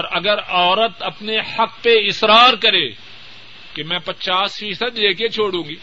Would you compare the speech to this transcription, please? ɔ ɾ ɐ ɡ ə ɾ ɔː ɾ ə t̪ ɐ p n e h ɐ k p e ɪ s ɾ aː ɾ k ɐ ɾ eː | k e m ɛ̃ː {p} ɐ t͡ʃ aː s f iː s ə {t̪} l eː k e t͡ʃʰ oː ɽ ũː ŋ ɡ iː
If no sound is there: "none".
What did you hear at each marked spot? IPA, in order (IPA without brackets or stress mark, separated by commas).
p, d̪